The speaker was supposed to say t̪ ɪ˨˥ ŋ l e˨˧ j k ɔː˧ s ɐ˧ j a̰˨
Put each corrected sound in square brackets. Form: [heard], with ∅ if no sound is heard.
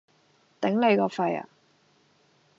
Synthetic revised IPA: t̪ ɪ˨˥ ŋ l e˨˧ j k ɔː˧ [f] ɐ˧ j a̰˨